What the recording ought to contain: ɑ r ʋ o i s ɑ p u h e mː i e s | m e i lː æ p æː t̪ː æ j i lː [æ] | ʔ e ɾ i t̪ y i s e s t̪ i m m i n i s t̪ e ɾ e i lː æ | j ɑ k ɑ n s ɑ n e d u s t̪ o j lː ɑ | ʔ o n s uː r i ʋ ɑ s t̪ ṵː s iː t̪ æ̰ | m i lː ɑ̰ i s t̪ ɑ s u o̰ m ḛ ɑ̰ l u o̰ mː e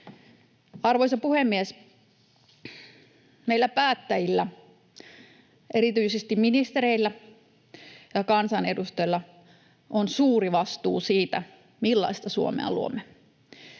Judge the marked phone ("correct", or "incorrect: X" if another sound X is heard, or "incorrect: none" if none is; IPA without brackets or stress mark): correct